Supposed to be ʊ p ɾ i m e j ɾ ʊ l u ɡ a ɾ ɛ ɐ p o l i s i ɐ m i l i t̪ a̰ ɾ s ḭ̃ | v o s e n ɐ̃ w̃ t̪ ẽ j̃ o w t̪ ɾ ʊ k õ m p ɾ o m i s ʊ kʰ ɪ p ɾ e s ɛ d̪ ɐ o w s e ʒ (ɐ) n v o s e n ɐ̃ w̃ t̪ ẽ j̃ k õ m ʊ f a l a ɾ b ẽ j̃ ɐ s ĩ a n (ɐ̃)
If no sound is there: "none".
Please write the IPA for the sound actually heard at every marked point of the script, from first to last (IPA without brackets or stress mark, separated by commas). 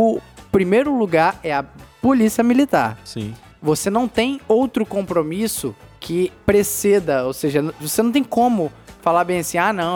ɐ, ɐ̃